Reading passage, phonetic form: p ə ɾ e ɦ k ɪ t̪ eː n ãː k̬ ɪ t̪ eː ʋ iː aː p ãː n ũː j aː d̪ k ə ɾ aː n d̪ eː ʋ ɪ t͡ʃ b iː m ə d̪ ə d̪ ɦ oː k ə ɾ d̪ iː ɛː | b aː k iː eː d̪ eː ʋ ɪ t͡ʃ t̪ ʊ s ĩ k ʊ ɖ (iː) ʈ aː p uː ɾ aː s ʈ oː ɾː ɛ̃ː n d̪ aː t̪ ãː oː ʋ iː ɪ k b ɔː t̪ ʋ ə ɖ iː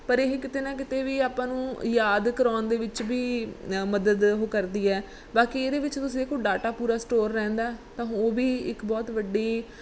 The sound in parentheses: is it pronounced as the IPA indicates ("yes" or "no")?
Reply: no